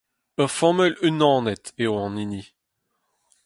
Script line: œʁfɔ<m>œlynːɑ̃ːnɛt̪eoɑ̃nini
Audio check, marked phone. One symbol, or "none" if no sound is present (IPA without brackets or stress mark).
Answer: m